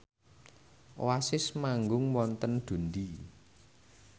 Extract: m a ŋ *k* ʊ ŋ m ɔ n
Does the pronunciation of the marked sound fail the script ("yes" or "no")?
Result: yes